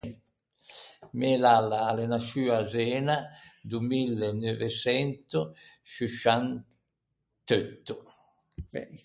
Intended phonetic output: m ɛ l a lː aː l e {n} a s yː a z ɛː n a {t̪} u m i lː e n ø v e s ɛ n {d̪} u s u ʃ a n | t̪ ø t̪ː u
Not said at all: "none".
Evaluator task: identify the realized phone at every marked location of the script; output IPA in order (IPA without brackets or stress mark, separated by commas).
n, d̪, t̪